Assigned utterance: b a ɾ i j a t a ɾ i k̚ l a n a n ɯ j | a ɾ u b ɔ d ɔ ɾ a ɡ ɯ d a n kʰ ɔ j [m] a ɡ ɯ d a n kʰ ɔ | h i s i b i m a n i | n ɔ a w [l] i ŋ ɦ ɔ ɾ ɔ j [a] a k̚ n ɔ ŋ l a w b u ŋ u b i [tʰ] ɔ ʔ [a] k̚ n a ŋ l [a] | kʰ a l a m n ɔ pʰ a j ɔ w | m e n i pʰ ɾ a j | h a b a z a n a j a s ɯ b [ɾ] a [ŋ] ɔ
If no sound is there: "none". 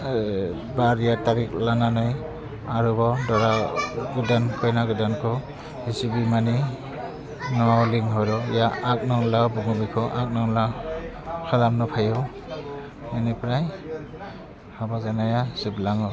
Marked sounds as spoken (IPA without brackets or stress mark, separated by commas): n, l, a, kʰ, a, a, l, ŋ